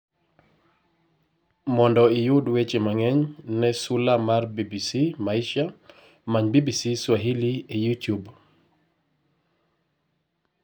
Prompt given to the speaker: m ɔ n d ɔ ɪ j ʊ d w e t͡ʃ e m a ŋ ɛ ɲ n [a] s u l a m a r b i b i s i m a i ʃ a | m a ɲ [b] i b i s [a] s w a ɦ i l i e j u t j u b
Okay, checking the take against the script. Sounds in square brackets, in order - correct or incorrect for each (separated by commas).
incorrect, correct, incorrect